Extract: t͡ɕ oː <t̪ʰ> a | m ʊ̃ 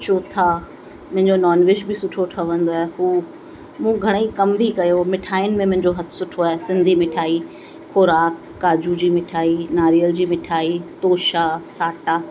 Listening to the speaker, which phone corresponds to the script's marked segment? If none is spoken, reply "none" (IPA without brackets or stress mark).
t̪ʰ